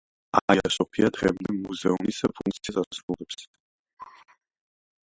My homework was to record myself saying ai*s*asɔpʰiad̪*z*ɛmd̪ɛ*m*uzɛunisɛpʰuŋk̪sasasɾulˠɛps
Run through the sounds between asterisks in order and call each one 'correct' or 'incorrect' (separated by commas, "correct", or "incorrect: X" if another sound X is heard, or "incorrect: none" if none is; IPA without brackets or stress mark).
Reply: incorrect: none, incorrect: ʁ, correct